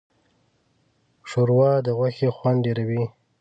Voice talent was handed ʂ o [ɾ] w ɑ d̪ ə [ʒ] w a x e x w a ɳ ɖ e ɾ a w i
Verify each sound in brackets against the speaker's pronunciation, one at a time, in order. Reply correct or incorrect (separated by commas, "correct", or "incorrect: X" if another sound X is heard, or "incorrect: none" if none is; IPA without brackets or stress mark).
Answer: correct, incorrect: ɣ